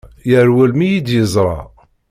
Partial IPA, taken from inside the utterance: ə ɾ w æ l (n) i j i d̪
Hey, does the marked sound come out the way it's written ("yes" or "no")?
no